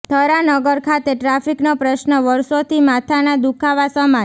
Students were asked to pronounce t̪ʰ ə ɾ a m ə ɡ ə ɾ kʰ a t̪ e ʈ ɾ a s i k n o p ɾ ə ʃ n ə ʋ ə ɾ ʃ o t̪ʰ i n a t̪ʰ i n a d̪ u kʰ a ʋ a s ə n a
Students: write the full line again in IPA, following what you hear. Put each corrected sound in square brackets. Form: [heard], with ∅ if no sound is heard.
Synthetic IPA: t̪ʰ ə ɾ a [n] ə ɡ ə ɾ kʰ a t̪ e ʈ ɾ a [f] i k n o p ɾ ə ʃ n ə ʋ ə ɾ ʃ o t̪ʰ i [m] a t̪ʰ [a] n a d̪ u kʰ a ʋ a s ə [m] a